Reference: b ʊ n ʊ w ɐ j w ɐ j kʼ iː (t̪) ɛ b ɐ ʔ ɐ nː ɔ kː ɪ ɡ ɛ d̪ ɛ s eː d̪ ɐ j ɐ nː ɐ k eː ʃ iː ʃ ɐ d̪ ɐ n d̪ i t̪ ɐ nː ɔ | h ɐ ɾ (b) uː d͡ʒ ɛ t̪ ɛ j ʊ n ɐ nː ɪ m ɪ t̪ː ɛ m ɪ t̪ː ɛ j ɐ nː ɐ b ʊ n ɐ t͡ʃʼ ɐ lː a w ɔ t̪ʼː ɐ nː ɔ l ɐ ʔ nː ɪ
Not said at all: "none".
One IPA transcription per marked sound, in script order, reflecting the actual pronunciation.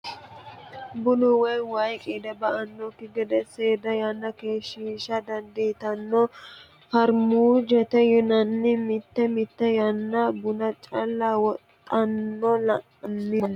d̪, m

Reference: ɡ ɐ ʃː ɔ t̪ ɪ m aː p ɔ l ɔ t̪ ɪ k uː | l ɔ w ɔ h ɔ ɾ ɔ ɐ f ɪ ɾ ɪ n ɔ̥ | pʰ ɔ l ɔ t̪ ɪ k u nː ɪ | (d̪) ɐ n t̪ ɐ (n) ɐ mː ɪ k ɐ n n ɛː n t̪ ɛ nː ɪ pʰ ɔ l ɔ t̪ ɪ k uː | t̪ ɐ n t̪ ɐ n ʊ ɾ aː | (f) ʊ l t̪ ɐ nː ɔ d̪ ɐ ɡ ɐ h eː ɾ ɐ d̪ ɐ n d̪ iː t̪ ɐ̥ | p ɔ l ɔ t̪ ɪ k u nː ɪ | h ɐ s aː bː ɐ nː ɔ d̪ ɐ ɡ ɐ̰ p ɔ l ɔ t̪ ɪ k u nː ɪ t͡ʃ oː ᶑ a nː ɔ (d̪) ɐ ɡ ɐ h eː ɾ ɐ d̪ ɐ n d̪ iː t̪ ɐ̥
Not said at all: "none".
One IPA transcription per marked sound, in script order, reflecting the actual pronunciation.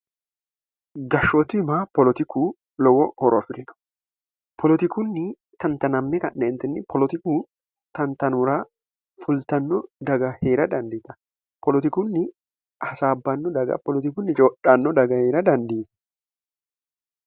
t̪, n, f, d̪

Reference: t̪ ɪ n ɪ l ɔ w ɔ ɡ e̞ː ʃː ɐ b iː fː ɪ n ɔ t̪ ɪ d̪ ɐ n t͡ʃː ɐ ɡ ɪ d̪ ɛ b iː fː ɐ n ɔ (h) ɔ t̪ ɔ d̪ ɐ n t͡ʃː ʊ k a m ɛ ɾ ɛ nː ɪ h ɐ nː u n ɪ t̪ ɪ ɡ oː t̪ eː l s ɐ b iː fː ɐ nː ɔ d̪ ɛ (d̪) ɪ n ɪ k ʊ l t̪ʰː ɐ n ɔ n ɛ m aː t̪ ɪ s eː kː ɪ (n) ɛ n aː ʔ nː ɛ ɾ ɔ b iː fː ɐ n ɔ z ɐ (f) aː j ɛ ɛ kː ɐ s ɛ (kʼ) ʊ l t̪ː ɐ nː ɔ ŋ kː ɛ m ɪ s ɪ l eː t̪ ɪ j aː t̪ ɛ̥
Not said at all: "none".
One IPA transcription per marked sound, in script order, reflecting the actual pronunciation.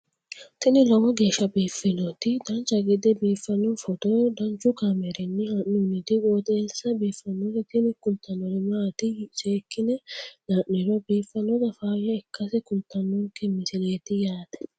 f, t̪, n, f, k

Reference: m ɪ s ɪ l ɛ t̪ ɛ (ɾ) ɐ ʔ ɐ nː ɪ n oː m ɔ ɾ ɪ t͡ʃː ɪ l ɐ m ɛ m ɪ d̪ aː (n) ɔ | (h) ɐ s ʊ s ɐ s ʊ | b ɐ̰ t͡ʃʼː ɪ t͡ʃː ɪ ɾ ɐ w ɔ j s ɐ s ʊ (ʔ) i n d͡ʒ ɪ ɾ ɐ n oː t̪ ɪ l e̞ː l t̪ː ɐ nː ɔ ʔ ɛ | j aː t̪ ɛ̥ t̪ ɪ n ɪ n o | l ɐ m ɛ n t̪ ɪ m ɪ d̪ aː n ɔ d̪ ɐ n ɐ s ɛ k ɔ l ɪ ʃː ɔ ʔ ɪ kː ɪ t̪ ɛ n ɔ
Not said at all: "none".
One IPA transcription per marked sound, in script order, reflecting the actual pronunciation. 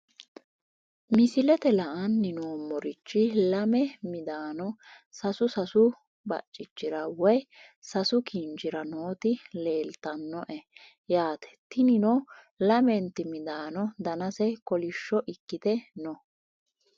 l, n, s, k

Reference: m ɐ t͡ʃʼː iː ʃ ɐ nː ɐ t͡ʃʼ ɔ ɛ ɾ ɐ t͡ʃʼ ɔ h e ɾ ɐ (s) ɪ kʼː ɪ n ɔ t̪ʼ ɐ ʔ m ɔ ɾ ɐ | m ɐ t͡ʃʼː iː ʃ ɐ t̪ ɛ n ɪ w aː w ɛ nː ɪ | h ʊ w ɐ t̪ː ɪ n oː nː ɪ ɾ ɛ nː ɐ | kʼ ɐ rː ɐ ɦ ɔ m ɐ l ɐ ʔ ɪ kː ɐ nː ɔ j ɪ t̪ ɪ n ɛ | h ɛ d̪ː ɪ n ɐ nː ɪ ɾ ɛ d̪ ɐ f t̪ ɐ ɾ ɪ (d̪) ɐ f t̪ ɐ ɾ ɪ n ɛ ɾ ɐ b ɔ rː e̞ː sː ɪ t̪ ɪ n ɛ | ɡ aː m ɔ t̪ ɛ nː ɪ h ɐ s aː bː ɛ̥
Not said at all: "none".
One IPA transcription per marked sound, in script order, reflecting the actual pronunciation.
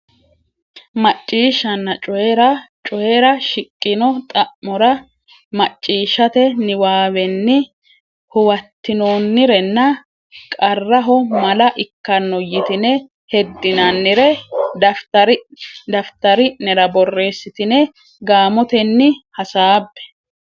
ʃ, d̪

